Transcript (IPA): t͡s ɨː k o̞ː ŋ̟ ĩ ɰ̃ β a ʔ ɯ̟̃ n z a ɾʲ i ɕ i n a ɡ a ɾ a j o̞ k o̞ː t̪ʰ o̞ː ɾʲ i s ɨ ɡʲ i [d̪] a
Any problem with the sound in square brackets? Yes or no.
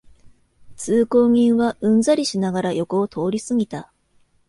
yes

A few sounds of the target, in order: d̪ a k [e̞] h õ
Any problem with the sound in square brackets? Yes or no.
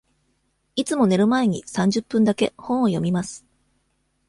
no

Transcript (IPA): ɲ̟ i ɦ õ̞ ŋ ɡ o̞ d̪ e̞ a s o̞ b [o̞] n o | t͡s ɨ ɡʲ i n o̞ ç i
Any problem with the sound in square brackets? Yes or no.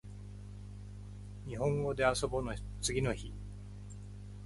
no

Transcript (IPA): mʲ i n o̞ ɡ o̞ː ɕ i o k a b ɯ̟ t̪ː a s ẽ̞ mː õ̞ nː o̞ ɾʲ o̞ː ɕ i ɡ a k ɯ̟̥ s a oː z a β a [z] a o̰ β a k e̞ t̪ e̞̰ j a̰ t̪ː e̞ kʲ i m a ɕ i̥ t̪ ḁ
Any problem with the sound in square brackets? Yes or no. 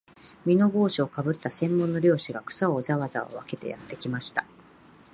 no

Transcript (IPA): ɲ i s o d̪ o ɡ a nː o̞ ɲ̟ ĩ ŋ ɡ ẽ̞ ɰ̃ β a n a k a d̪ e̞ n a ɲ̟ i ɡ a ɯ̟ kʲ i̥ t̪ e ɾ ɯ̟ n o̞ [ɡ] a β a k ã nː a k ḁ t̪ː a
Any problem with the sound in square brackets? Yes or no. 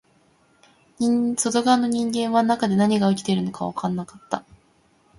yes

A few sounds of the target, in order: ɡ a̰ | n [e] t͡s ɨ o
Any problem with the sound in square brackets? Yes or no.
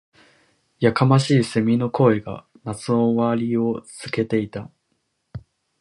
yes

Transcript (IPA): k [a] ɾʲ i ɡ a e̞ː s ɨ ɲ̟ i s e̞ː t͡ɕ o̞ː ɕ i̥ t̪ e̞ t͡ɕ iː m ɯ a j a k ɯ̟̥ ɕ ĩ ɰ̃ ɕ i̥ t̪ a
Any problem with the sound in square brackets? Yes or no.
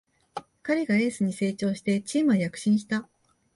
no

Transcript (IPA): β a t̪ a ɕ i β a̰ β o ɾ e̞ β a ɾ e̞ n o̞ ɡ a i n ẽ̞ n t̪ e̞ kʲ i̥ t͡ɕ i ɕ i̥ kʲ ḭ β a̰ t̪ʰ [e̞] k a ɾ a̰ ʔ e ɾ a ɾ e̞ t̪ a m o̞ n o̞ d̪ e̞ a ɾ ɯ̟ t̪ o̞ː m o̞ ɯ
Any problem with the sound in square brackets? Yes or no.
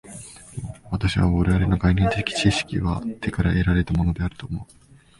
no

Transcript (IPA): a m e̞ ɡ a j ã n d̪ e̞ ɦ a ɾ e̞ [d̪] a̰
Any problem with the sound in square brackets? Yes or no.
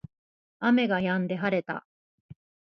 yes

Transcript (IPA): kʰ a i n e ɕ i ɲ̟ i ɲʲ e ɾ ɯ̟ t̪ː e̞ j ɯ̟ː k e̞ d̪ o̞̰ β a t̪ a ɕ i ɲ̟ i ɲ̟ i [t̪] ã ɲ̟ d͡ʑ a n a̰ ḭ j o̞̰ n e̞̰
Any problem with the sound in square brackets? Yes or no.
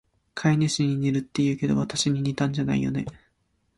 no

